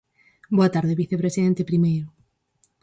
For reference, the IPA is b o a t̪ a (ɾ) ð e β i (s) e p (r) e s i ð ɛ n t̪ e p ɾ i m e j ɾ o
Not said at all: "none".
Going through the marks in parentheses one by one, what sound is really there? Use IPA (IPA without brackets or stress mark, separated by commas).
ɾ, θ, ɾ